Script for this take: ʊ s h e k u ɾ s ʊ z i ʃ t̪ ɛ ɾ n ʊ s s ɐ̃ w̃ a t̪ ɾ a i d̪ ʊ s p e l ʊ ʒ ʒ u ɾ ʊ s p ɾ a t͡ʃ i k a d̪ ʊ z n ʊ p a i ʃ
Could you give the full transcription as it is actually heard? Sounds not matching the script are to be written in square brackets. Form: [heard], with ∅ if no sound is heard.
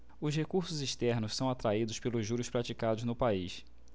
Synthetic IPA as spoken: ʊ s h e k u ɾ s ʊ z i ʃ t̪ ɛ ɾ n ʊ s s ɐ̃ w̃ a t̪ ɾ a i d̪ ʊ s p e l ʊ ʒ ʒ u ɾ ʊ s p ɾ a t͡ʃ i k a d̪ ʊ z n ʊ p a i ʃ